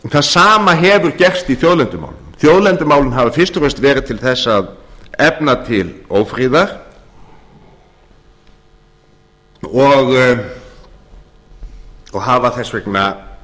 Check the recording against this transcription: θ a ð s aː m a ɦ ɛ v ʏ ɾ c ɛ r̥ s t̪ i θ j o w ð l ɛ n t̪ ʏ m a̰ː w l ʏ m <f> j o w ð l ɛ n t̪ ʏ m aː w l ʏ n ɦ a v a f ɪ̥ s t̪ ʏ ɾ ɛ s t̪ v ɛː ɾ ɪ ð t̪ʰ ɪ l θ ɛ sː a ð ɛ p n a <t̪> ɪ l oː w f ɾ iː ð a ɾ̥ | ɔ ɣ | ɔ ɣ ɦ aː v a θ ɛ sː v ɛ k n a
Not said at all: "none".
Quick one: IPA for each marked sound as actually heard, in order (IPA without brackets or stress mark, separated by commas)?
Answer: θ, t̪ʰ